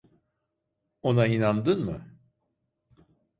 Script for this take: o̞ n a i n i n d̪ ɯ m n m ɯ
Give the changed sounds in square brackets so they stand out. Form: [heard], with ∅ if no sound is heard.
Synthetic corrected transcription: o̞ n a i n [a] n d̪ ɯ [∅] n m ɯ